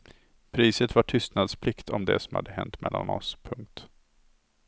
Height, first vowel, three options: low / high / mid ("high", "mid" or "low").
high